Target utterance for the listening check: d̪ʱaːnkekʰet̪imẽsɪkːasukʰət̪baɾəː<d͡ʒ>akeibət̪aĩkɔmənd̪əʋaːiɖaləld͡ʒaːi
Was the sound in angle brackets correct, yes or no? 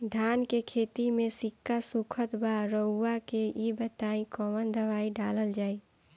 no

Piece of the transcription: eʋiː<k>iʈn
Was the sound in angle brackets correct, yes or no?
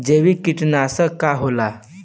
yes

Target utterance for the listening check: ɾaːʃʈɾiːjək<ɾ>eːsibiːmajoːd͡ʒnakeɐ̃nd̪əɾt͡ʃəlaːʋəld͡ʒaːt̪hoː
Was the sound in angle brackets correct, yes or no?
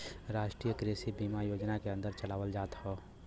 yes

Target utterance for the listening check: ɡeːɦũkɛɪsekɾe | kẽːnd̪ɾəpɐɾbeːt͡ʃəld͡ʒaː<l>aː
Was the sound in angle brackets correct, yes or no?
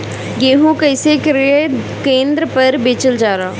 no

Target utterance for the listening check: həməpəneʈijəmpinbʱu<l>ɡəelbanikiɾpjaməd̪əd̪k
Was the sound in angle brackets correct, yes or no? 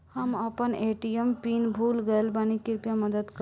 yes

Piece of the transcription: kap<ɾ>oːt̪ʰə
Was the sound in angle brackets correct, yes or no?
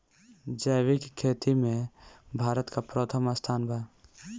yes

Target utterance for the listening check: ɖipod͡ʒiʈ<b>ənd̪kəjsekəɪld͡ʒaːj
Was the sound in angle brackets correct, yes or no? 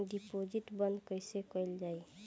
yes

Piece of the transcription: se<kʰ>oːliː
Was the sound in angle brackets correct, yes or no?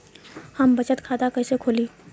yes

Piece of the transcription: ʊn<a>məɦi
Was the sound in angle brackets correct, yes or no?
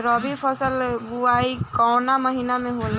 yes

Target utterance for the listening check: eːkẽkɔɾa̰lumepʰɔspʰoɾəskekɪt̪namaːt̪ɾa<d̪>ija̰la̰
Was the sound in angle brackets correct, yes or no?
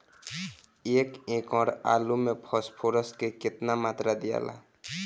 yes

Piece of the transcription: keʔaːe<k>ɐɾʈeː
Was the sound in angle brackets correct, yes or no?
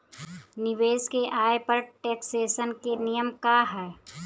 no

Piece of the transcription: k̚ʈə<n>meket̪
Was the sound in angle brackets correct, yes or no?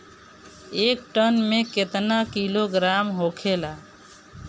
yes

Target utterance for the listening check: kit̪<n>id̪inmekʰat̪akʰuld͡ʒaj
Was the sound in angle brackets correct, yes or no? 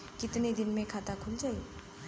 yes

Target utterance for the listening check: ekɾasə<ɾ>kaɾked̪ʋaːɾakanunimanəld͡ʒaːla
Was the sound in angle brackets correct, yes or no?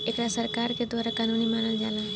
yes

